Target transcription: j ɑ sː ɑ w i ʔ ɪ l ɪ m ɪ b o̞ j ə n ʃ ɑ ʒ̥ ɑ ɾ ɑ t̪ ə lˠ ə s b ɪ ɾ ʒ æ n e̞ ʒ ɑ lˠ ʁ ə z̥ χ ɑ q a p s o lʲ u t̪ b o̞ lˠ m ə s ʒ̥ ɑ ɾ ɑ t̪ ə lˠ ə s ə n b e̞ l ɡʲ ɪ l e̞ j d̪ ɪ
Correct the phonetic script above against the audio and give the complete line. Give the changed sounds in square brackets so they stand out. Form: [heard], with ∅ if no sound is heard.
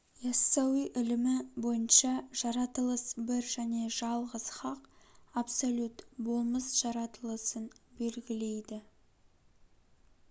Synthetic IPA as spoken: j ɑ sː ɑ w i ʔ ɪ l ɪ m ɪ b o̞ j ə n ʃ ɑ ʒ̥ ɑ ɾ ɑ t̪ ə lˠ ə s b ɪ ɾ ʒ æ n e̞ ʒ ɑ lˠ ʁ ə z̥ χ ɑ q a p s o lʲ u t̪ b o̞ lˠ m ə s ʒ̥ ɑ ɾ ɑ t̪ ə lˠ ə s ə n b e̞ l ɡʲ ɪ l e̞ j d̪ ɪ